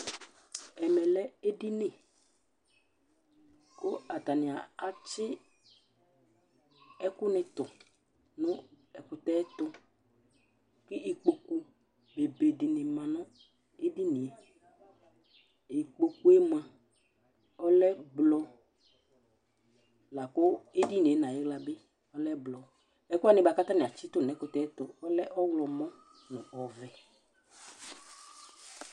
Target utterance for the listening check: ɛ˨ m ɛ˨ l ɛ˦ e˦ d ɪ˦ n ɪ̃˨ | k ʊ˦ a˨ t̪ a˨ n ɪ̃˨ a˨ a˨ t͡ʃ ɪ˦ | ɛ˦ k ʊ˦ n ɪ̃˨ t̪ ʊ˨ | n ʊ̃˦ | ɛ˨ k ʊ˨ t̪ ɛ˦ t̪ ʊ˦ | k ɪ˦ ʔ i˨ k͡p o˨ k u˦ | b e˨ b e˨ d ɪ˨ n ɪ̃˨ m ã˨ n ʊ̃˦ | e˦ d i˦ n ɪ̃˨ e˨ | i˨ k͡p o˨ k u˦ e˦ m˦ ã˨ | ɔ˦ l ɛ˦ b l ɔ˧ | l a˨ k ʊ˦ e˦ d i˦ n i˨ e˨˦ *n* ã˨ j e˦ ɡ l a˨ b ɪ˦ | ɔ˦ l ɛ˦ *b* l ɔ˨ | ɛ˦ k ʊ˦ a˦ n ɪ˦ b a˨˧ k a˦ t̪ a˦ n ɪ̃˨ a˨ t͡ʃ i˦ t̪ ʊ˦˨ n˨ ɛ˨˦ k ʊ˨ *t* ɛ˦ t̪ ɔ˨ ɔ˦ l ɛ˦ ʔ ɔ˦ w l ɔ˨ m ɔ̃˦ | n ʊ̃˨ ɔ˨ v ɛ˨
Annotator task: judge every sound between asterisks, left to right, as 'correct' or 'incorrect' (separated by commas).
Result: correct, correct, correct